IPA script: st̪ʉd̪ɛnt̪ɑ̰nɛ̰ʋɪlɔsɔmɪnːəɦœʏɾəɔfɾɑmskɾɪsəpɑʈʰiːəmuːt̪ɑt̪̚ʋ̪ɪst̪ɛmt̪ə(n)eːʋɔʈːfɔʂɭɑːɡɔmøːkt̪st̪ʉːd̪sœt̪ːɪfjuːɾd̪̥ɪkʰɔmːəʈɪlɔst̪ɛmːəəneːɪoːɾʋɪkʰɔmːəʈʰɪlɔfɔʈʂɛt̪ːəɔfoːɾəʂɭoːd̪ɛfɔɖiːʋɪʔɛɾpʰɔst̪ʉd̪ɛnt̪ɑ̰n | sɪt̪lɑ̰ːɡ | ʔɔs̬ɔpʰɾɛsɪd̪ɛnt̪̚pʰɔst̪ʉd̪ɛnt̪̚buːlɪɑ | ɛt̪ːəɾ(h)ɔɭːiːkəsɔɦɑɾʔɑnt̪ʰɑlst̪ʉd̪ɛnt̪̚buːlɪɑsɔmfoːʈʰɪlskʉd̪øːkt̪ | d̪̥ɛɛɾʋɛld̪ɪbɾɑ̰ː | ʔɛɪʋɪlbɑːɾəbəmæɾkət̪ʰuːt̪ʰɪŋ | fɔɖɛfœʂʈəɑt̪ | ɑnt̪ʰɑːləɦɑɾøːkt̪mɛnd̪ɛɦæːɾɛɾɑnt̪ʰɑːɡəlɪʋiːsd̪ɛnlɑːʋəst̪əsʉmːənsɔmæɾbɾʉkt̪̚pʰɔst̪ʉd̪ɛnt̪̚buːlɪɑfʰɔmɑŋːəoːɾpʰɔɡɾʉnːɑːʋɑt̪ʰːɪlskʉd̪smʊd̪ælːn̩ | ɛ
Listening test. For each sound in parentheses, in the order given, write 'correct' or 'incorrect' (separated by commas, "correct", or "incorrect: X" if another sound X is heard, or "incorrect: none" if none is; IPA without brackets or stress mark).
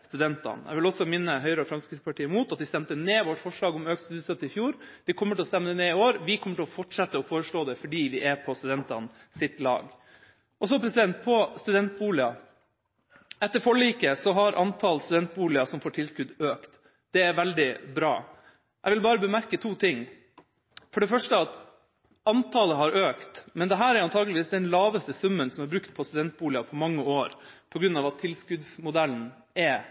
correct, incorrect: f